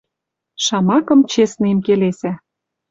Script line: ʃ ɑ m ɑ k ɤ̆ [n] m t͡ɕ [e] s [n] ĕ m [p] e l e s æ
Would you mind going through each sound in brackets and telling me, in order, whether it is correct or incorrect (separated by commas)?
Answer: incorrect, correct, correct, incorrect